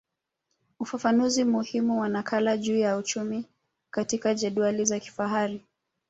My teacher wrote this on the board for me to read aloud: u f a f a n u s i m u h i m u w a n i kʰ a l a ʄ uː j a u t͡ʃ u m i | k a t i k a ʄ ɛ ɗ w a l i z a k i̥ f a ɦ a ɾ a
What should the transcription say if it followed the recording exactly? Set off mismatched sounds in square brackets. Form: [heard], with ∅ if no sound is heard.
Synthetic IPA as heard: u f a f a n u [z] i m u h i m u w a n [a] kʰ a l a ʄ uː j a u t͡ʃ u m i | k a t i k a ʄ ɛ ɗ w a l i z a k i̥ f a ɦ a ɾ [i]